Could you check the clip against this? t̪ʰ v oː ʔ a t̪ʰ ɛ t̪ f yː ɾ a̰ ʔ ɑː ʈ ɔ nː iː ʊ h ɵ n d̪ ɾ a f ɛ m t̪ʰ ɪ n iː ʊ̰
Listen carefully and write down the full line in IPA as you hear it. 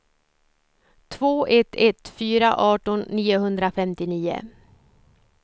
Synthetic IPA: t̪ʰ v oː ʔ ɛ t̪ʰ ɛ t̪ f yː ɾ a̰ ʔ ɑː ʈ ɔ nː iː ʊ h ɵ n d̪ ɾ a f ɛ m t̪ ɪ n iː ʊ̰